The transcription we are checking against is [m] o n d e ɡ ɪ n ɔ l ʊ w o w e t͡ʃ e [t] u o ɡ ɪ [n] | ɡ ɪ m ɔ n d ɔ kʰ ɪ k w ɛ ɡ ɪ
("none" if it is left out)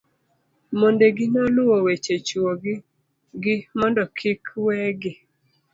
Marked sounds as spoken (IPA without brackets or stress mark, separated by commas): m, t͡ʃ, none